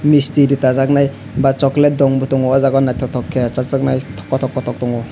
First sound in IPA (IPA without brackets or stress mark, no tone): m